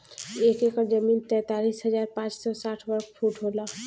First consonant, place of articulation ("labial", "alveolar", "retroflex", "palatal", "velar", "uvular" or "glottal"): velar